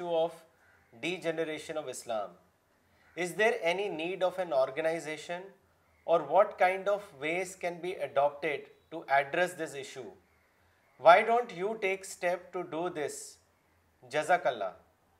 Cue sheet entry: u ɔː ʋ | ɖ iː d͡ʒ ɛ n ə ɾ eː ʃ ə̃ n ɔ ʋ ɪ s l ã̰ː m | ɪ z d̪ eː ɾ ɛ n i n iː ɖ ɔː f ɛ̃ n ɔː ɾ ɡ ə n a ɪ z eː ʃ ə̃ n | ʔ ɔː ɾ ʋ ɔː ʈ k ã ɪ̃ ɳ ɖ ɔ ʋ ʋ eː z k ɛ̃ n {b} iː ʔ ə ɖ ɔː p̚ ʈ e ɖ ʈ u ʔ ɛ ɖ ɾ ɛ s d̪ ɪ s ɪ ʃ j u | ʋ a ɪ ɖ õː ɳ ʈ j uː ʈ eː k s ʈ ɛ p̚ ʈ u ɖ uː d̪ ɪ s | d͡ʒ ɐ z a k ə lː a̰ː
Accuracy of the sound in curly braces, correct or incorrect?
correct